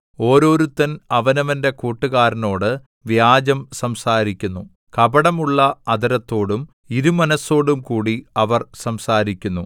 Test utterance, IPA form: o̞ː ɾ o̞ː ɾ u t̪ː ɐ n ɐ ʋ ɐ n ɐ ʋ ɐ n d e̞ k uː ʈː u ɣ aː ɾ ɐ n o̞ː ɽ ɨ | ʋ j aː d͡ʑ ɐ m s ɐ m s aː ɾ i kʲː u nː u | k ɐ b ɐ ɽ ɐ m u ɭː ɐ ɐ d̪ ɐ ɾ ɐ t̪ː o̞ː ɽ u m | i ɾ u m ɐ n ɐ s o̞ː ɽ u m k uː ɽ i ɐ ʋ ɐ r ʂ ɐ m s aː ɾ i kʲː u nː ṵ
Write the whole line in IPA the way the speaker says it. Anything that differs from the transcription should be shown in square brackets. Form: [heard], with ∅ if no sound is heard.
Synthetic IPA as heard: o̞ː ɾ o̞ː ɾ u t̪ː ɐ n ɐ ʋ ɐ n ɐ ʋ ɐ n d e̞ k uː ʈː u ɣ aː ɾ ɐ n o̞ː ɽ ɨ | ʋ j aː d͡ʑ ɐ m s ɐ m s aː ɾ i kʲː u nː u | k ɐ b ɐ ɽ ɐ m u ɭː ɐ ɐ d̪ ɐ ɾ ɐ t̪ː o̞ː ɽ u m | i ɾ u m ɐ n ɐ s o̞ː ɽ u m k uː ɽ i ɐ ʋ ɐ r [s] ɐ m s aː ɾ i kʲː u nː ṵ